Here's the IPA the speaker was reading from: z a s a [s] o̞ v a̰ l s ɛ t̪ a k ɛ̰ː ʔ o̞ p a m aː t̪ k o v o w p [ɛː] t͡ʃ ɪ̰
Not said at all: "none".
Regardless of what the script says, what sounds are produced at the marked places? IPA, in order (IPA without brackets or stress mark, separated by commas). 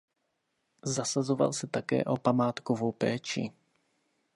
z, ɛː